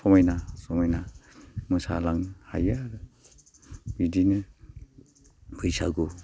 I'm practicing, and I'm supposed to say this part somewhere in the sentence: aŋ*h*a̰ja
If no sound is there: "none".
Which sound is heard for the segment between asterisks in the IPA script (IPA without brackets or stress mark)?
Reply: h